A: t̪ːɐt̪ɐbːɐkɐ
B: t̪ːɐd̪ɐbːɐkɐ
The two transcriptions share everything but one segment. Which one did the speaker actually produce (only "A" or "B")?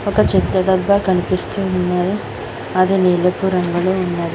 B